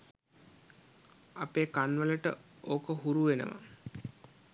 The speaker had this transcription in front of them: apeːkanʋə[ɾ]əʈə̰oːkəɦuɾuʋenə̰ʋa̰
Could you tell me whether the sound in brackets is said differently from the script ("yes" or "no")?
yes